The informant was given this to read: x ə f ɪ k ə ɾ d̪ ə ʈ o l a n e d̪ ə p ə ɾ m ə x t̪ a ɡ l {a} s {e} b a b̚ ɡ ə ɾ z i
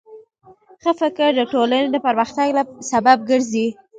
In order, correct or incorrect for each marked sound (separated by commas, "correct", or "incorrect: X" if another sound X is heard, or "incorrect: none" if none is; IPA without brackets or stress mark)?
correct, incorrect: a